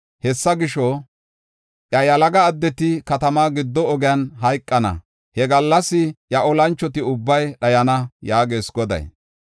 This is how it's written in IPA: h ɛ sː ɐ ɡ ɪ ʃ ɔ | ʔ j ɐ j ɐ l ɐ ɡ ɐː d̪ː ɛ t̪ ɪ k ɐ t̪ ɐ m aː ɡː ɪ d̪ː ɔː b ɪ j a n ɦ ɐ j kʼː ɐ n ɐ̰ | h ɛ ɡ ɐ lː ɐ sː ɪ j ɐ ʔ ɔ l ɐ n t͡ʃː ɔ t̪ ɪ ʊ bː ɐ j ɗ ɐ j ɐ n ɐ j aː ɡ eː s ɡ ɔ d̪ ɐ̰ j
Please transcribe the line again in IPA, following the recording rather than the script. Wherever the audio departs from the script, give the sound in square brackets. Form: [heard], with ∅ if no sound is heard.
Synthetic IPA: h ɛ sː ɐ ɡ ɪ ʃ ɔ | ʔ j ɐ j ɐ l ɐ ɡ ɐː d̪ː ɛ t̪ ɪ k ɐ t̪ ɐ m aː [ɡ] ɪ d̪ː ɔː [ɡ] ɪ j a n ɦ ɐ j kʼː ɐ n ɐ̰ | h ɛ ɡ ɐ lː ɐ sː ɪ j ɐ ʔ ɔ l ɐ n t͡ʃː ɔ t̪ ɪ ʊ bː ɐ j ɗ ɐ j ɐ n ɐ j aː ɡ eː s ɡ ɔ d̪ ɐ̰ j